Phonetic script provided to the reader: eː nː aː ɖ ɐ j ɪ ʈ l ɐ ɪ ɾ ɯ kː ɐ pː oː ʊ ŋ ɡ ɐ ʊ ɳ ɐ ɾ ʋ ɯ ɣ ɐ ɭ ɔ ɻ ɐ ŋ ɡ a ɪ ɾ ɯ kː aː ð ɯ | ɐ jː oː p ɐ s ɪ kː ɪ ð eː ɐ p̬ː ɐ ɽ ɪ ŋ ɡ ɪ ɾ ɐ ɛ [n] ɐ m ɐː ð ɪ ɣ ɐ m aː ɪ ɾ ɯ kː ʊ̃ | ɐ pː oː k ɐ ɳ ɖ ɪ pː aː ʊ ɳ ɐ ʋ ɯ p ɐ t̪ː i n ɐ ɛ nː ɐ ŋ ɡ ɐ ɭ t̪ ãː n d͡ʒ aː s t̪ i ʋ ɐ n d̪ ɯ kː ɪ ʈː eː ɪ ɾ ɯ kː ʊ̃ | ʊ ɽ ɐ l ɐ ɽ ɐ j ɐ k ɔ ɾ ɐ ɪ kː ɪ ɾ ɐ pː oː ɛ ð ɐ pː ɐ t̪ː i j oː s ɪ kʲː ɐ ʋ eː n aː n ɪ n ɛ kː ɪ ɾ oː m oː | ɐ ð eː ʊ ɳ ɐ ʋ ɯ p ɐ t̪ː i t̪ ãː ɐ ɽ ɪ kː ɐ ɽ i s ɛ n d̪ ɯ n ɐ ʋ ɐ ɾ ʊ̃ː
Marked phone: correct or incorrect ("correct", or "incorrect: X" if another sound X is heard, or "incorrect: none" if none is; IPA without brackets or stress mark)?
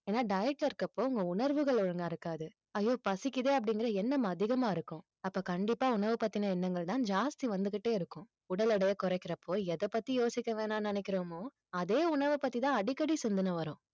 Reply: incorrect: nː